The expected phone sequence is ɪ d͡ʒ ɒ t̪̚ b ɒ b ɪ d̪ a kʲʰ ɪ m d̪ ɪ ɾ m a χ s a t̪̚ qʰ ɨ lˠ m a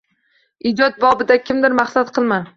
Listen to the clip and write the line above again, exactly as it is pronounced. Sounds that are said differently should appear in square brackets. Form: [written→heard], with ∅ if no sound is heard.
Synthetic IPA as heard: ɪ d͡ʒ ɒ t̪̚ b ɒ b ɪ d̪ a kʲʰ ɪ m d̪ ɪ ɾ m a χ s a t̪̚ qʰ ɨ lˠ m a